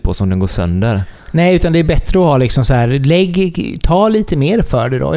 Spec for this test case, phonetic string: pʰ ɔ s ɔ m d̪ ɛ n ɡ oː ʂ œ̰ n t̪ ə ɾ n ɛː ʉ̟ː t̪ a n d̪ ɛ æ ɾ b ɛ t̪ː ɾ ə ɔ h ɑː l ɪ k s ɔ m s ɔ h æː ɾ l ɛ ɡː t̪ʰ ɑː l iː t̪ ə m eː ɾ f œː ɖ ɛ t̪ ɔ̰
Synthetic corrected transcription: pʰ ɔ s ɔ m d̪ ɛ n ɡ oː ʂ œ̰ n d̪ ə ɾ n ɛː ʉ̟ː t̪ a n d̪ ɛ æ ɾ b ɛ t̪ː ɾ ə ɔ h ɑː l ɪ k s ɔ m s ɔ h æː ɾ l ɛ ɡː t̪ʰ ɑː l iː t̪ ə m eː ɾ f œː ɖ ɛ d̪ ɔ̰